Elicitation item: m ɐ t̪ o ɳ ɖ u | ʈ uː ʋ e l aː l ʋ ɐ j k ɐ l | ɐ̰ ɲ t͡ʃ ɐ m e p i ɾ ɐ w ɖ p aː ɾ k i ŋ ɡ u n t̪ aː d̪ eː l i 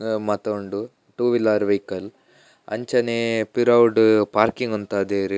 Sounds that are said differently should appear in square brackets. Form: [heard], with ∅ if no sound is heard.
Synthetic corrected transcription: m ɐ t̪ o ɳ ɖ u | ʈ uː ʋ [i] l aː [ɾ] ʋ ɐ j k ɐ l | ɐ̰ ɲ t͡ʃ ɐ [n] e p i ɾ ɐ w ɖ p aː ɾ k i ŋ ɡ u n t̪ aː d̪ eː [ɾ] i